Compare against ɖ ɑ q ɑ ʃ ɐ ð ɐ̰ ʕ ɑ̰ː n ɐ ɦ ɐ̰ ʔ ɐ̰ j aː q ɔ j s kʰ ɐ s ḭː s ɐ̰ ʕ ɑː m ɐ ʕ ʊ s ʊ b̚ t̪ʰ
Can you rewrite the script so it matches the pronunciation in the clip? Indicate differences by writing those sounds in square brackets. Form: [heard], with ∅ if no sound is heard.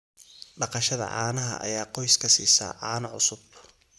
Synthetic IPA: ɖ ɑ q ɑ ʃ ɐ ð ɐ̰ ʕ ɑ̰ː n ɐ ɦ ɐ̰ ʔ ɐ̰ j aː q ɔ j s kʰ ɐ s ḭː s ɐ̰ ʕ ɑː [n] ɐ ʕ ʊ s ʊ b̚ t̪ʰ